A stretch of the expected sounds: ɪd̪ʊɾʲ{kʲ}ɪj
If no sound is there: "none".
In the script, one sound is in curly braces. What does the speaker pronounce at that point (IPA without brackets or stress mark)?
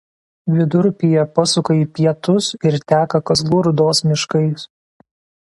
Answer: pʲ